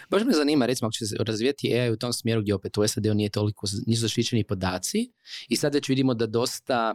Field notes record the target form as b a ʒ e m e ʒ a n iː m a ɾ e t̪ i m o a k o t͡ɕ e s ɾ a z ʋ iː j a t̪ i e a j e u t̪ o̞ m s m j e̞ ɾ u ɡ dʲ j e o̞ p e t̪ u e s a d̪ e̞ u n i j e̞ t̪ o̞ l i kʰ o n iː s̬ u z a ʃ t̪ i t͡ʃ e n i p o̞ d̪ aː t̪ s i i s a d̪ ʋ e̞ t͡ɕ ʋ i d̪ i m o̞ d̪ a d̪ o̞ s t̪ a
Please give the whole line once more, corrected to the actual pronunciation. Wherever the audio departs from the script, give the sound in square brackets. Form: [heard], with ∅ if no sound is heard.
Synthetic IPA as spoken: b a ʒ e m e [z] a n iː m a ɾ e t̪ i m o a k o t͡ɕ e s ɾ a z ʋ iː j a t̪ i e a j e u t̪ o̞ m s m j e̞ ɾ u ɡ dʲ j e o̞ p e t̪ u e s a d̪ e̞ u n i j e̞ t̪ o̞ l i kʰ o n iː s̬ u z a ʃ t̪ i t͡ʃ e n i p o̞ d̪ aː t̪ s i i s a d̪ ʋ e̞ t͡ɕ ʋ i d̪ i m o̞ d̪ a d̪ o̞ s t̪ a